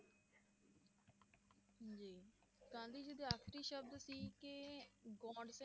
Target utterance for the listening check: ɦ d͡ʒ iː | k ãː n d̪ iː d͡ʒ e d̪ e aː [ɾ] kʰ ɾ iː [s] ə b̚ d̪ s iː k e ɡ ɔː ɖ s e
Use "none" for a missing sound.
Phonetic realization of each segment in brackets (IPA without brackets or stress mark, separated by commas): none, ʃ